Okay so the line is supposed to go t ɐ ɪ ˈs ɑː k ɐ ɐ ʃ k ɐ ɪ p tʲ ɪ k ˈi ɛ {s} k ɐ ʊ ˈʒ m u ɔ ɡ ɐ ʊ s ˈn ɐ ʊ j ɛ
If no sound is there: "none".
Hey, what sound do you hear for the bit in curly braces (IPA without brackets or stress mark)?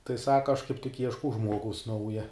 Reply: ʃ